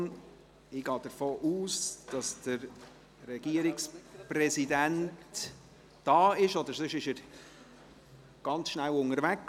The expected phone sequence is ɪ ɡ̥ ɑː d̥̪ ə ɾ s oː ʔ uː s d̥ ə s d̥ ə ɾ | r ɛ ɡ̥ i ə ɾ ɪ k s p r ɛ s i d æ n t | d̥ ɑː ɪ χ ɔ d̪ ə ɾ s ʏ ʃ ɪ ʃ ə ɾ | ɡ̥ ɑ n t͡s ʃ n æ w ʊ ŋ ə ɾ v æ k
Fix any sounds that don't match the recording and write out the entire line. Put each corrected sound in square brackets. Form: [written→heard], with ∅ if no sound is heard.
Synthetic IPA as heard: ɪ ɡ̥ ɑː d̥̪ ə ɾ [s→f] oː ʔ uː s d̥ [ə→ɑ] s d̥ ə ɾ | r ɛ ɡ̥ i ə ɾ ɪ k s p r ɛ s i d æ n t | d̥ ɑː ɪ [χ→ʃ] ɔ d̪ ə ɾ s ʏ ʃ ɪ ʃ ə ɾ | ɡ̥ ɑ n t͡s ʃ n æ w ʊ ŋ ə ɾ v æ k